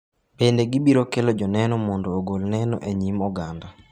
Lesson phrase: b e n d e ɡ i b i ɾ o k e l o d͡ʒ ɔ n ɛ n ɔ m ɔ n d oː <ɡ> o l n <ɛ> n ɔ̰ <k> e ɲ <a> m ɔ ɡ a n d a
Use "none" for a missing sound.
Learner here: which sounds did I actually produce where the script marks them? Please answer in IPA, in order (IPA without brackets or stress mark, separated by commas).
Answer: ɡ, ɛ, ʔ, i